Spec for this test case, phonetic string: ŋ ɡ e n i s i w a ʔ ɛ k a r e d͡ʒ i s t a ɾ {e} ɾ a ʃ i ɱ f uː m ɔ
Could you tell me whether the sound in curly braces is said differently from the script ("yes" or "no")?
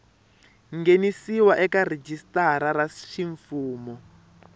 yes